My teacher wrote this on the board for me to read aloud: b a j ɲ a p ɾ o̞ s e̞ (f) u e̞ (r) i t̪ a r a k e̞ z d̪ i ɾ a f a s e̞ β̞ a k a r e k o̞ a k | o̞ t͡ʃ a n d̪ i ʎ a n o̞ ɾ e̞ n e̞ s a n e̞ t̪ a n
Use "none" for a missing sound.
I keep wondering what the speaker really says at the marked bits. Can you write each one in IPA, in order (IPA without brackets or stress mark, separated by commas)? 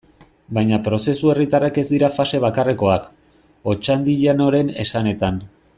s, r